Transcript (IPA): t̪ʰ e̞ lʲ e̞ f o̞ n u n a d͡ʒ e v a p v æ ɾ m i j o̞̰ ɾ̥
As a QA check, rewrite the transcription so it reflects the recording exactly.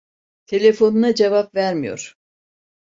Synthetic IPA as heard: t̪ʰ e̞ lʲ e̞ f o̞ n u n a d͡ʒ e v a p v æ ɾ m i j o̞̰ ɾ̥

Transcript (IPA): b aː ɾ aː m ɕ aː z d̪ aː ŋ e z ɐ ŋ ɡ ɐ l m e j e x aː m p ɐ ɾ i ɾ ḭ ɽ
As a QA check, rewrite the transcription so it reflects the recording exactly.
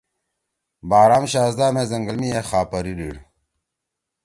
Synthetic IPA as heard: b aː ɾ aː m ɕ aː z d̪ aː m e z ɐ ŋ ɡ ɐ l m i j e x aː p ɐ ɾ i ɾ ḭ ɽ

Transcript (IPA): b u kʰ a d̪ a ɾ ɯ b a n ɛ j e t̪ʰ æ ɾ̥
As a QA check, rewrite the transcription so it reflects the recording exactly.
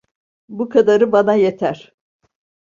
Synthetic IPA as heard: b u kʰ a d̪ a ɾ ɯ b a n a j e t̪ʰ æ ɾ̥

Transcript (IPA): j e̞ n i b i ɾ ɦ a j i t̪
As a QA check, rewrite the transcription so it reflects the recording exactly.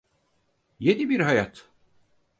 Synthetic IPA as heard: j e̞ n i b i ɾ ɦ a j a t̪

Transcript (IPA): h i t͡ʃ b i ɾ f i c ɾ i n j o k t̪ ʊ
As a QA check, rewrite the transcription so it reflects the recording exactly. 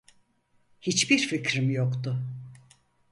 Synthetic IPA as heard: h i t͡ʃ b i ɾ f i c ɾ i m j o k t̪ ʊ

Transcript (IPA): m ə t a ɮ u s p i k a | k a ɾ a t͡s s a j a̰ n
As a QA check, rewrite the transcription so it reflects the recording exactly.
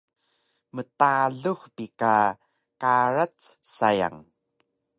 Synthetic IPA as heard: m ə t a ɮ u x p i k a | k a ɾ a t͡s s a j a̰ ŋ

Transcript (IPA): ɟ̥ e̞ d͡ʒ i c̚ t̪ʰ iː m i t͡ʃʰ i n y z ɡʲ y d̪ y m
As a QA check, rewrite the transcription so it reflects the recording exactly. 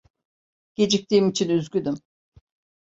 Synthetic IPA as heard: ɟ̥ e̞ d͡ʒ i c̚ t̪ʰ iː m i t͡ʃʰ i n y z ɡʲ y d̪ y m

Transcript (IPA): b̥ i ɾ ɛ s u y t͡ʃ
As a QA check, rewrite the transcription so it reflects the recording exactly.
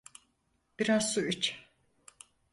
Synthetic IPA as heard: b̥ i ɾ a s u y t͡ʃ

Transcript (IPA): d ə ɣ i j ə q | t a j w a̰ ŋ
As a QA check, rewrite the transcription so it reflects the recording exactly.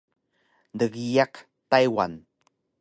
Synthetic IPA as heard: d ə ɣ i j a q | t a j w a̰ n

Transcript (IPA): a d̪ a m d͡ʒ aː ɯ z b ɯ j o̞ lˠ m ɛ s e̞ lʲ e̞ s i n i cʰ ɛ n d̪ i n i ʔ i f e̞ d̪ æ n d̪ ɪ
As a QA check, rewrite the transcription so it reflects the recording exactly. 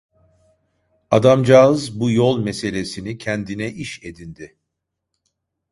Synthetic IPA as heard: a d̪ a m d͡ʒ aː ɯ z b u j o̞ lˠ m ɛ s e̞ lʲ e̞ s i n i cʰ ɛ n d̪ i n ɛ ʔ i ʃ e̞ d̪ i n d̪ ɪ

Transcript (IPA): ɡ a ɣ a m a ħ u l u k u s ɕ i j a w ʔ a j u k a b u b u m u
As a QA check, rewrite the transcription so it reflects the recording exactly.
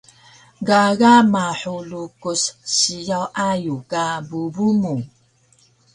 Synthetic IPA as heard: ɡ a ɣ a m a ħ u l u k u s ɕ i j a w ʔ a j u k a b u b u m u

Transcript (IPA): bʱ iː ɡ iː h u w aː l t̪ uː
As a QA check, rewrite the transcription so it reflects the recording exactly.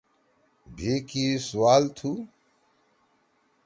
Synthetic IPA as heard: bʱ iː k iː s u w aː l t̪ʰ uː

